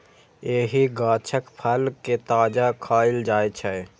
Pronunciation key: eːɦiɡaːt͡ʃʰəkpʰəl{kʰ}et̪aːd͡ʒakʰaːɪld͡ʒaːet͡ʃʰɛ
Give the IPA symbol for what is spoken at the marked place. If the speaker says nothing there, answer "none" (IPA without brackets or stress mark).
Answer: k